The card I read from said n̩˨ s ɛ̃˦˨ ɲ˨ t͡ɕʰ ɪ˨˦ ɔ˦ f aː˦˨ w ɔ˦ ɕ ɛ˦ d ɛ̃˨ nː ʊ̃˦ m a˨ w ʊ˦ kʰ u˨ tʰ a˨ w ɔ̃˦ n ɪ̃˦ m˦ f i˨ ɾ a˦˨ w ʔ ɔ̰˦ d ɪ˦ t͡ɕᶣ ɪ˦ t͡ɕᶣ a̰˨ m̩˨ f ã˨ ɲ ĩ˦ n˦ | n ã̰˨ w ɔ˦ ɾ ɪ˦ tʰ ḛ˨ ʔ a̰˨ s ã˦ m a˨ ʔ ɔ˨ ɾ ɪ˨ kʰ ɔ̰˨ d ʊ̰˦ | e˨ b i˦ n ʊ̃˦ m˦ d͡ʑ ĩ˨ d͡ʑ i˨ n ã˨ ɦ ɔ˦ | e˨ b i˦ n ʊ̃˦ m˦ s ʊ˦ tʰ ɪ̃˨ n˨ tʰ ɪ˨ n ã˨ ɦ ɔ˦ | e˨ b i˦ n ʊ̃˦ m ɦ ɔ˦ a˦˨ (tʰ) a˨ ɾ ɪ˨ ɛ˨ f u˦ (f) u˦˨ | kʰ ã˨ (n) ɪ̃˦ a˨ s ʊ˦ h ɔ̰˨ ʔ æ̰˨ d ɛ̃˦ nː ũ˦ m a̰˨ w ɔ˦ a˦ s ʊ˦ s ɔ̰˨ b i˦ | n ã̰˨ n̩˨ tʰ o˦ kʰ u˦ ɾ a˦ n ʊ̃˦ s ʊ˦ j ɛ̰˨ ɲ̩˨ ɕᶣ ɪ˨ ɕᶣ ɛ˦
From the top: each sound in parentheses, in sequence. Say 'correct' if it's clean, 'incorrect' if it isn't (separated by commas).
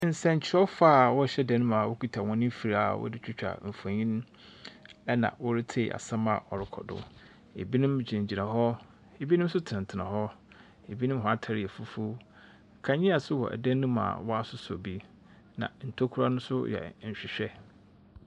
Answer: correct, correct, incorrect